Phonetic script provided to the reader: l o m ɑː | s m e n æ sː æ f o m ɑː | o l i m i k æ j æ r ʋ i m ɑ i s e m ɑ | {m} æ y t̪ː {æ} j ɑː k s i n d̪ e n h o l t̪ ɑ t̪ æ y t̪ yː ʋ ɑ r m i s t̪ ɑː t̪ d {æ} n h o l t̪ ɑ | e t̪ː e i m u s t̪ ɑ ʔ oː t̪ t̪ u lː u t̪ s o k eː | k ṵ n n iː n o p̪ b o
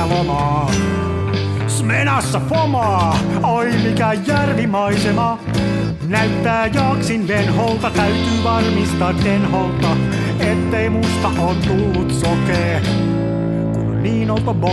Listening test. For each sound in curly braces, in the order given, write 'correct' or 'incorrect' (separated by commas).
incorrect, incorrect, incorrect